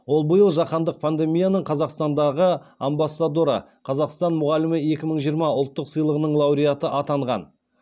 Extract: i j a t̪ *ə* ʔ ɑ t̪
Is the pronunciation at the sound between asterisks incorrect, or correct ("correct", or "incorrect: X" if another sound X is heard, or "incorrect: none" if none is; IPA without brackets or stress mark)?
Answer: correct